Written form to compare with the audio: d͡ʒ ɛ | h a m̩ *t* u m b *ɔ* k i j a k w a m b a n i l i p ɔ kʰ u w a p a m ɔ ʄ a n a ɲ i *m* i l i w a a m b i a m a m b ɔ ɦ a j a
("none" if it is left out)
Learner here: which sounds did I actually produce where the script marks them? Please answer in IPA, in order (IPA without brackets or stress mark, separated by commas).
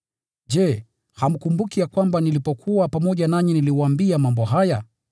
k, u, n